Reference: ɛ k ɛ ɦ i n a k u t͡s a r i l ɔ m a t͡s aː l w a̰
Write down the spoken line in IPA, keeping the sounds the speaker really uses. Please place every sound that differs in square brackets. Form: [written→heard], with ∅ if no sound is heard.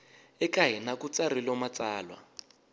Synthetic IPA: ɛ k [ɛ→a] ɦ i n a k u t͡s a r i l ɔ m a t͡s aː l w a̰